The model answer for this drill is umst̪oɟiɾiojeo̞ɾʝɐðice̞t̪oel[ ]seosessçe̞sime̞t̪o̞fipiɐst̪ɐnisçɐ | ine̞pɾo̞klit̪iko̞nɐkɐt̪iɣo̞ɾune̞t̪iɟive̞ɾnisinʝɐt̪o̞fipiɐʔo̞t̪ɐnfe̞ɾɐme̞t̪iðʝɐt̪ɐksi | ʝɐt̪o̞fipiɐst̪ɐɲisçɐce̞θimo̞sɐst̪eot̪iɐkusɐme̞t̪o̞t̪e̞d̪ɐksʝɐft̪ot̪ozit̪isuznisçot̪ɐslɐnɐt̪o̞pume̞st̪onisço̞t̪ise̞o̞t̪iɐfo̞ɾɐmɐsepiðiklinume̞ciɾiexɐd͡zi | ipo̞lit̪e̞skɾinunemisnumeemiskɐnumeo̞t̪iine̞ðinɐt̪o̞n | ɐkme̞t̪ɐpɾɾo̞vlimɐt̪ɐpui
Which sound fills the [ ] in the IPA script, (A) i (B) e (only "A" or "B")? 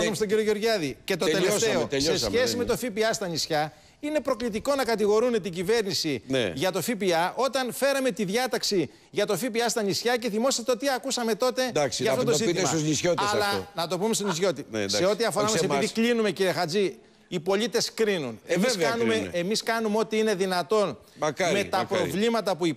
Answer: B